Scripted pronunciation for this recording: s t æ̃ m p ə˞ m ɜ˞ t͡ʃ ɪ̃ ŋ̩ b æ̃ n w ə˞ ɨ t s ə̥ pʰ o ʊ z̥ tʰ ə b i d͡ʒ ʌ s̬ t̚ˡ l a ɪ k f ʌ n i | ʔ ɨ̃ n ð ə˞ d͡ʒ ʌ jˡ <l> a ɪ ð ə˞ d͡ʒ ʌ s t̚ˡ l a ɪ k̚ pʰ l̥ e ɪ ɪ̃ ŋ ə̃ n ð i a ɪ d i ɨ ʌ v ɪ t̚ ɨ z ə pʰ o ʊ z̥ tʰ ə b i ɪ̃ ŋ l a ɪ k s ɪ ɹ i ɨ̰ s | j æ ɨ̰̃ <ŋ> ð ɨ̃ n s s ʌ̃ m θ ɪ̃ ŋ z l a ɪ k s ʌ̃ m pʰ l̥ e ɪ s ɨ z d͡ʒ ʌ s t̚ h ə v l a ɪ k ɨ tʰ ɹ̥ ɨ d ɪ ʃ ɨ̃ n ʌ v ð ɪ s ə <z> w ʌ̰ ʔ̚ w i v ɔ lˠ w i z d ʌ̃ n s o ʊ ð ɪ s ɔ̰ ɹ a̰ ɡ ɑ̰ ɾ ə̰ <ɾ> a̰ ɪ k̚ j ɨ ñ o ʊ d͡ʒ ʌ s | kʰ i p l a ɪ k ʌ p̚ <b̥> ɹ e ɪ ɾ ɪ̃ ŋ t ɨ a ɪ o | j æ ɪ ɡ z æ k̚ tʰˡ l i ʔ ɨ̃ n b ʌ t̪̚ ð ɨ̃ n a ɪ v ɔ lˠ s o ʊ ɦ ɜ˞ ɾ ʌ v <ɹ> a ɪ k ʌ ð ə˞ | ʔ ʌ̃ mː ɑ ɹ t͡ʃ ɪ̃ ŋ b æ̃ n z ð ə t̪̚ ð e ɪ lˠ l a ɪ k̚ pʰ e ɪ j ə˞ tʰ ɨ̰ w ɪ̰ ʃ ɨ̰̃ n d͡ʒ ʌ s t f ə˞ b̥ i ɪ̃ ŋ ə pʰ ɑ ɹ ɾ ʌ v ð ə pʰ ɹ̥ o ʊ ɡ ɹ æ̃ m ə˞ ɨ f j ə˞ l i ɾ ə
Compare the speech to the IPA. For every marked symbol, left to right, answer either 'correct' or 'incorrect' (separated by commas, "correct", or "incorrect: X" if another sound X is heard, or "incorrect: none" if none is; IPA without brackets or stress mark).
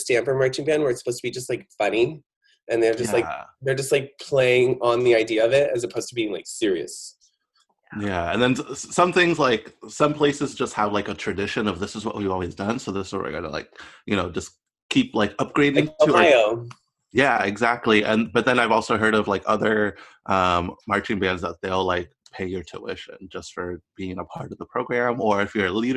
correct, incorrect: n, correct, incorrect: l, incorrect: ɡ̥, incorrect: l